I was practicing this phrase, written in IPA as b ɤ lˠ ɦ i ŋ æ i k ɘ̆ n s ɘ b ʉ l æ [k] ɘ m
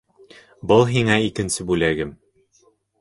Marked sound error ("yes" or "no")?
yes